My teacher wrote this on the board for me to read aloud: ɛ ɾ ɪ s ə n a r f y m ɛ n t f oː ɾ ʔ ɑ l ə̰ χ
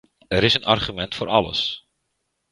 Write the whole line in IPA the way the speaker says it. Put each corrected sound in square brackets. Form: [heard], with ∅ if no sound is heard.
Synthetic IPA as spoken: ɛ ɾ ɪ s ə n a r [χ] y m ɛ n t f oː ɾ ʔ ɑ l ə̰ [s]